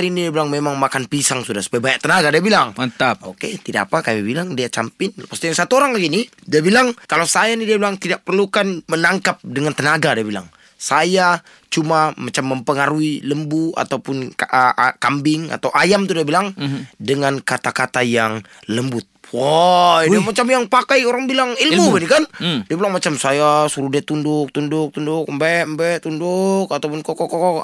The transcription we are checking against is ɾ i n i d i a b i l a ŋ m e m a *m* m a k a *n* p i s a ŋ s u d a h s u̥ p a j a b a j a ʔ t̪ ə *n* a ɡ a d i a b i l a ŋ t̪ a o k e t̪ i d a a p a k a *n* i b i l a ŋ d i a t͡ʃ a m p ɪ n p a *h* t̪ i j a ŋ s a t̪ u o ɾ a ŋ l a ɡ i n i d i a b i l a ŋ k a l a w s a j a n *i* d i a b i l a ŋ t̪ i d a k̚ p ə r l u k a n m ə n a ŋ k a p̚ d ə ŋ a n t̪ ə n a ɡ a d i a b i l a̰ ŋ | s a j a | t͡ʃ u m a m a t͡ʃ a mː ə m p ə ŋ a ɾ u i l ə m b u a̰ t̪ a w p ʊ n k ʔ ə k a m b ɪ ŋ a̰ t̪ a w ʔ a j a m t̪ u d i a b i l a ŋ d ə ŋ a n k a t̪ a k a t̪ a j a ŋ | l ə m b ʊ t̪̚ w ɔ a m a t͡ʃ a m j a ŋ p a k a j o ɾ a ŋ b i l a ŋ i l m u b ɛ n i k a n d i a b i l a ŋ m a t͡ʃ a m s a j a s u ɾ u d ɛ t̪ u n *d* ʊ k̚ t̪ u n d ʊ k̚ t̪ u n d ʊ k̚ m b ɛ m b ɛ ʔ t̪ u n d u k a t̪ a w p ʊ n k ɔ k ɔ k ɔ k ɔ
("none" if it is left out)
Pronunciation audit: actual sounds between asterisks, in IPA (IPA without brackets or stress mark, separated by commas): ŋ, n, n, m, s, i, d